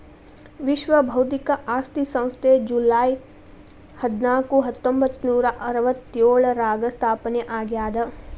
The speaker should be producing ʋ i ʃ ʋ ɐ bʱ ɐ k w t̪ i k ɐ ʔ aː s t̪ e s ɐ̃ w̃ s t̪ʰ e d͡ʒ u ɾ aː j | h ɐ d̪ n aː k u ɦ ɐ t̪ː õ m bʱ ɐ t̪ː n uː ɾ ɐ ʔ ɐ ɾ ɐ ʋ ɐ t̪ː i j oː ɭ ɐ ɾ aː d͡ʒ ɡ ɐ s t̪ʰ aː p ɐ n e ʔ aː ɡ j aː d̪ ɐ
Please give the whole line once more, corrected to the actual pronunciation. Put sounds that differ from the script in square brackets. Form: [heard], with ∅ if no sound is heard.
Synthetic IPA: ʋ i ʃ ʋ ɐ bʱ ɐ [∅] w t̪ i k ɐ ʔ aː s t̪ [i] s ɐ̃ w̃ s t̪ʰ e d͡ʒ u [l] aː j | h ɐ d̪ n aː k u ɦ ɐ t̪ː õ m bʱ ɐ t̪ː n uː ɾ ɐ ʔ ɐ ɾ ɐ ʋ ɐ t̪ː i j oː ɭ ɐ ɾ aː [∅] ɡ ɐ s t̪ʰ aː p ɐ n e ʔ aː ɡ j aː d̪ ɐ